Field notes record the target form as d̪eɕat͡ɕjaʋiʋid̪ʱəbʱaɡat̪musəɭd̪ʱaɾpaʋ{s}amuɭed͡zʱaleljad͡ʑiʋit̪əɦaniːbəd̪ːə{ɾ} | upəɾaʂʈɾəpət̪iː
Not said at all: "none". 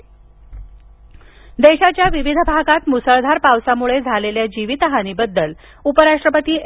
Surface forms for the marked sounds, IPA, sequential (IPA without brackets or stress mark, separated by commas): s, l